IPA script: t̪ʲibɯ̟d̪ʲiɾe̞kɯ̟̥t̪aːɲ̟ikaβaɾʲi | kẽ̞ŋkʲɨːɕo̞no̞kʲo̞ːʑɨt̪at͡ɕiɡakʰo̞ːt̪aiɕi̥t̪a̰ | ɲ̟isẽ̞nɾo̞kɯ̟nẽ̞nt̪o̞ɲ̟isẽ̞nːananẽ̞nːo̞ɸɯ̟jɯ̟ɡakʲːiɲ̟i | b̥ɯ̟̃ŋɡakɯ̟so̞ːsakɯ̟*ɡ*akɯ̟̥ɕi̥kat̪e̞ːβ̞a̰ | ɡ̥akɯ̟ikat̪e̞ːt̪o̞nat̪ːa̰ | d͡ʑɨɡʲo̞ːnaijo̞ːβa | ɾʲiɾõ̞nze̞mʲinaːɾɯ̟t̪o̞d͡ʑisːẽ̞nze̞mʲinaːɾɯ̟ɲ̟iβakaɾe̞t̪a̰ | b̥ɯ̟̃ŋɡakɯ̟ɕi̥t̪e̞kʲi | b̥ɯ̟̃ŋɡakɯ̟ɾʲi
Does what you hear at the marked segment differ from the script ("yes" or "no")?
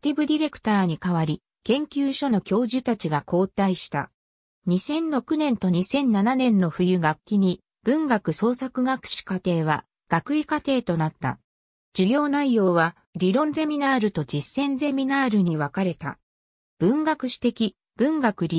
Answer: no